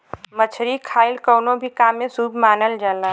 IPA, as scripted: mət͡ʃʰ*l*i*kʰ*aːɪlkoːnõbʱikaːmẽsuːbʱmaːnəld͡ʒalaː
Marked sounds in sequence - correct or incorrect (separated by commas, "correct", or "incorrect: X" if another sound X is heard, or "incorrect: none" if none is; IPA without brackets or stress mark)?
incorrect: ɾ, correct